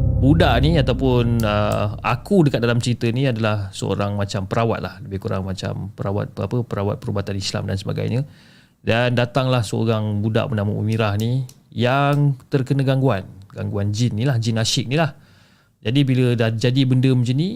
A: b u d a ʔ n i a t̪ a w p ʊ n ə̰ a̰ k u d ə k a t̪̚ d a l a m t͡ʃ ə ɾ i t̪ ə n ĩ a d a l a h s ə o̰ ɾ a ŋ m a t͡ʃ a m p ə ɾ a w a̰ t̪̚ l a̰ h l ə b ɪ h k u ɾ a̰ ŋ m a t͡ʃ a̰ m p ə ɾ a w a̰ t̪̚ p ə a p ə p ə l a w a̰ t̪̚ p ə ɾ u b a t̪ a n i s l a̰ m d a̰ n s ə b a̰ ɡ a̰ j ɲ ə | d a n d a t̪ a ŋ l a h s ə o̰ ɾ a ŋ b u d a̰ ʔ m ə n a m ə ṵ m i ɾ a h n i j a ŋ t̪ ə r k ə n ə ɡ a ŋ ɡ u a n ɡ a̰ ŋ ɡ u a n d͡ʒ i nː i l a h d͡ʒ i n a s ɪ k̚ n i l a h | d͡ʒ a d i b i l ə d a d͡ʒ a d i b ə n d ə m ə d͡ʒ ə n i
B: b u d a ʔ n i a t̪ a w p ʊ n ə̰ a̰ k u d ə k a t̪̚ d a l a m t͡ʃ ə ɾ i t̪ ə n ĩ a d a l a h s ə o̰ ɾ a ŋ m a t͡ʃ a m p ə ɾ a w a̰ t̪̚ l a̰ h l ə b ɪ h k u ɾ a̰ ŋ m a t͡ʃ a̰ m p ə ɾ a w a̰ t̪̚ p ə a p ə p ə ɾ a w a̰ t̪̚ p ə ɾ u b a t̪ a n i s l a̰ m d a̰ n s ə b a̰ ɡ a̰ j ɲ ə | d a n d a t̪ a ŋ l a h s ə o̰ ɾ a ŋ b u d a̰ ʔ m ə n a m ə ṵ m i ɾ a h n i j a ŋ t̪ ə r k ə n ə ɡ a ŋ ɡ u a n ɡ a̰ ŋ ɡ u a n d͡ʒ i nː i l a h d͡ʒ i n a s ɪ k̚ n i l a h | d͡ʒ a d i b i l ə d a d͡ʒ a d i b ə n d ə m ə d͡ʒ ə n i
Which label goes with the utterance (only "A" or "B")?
B